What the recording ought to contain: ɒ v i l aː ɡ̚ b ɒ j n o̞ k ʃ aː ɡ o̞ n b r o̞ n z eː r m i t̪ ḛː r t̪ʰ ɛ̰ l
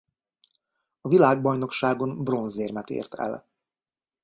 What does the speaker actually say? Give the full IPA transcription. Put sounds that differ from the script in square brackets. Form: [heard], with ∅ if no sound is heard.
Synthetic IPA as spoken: ɒ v i l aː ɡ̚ b ɒ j n o̞ k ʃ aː ɡ o̞ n b r o̞ n z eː r m [ɛ] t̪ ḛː r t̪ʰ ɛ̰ l